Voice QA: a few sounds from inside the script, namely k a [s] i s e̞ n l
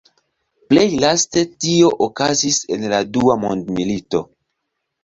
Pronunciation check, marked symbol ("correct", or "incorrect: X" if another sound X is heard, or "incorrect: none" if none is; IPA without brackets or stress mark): incorrect: z